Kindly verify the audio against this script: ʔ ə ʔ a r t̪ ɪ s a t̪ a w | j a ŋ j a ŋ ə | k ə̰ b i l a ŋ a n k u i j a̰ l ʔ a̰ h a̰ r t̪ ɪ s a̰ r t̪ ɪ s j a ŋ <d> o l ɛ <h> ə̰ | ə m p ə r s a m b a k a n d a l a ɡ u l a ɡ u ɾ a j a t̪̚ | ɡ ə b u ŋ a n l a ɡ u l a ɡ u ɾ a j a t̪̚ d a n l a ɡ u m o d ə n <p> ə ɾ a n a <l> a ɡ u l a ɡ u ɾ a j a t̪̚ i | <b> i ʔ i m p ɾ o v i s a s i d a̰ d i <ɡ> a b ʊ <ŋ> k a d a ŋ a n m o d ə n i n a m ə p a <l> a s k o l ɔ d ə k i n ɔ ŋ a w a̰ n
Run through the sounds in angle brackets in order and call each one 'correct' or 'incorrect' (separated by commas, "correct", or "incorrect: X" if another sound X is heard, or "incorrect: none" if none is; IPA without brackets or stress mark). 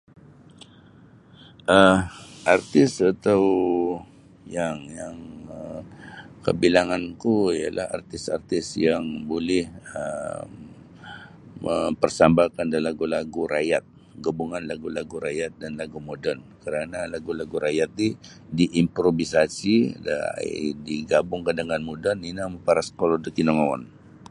incorrect: b, correct, incorrect: k, correct, incorrect: d, correct, correct, incorrect: ɾ